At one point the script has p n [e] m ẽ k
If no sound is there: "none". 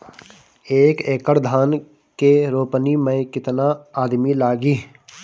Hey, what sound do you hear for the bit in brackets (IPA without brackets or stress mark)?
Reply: i